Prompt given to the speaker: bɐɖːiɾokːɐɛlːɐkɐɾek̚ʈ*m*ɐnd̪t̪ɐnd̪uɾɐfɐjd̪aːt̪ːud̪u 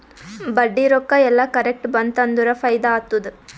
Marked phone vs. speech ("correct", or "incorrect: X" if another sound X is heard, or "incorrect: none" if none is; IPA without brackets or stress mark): incorrect: b